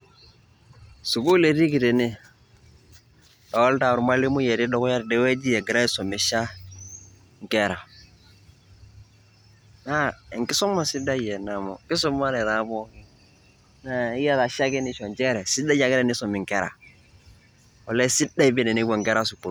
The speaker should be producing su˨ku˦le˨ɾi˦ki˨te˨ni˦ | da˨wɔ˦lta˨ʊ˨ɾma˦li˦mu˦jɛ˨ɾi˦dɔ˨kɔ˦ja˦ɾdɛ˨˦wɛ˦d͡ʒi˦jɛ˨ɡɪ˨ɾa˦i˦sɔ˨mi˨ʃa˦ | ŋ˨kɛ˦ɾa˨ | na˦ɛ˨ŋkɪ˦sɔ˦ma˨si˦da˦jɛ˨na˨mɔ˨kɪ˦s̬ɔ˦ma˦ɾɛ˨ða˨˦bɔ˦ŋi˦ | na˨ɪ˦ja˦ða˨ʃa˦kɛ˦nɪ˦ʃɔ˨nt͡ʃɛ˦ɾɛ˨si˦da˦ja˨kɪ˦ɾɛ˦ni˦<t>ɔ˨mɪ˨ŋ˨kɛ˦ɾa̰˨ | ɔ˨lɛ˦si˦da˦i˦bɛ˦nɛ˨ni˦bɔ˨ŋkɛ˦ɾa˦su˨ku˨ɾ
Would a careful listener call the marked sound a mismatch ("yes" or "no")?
yes